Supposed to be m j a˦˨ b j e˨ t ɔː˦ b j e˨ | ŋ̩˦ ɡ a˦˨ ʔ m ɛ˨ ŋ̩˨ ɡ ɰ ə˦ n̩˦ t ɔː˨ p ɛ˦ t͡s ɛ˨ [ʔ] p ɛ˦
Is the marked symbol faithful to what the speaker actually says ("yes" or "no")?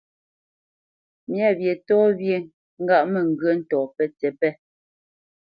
no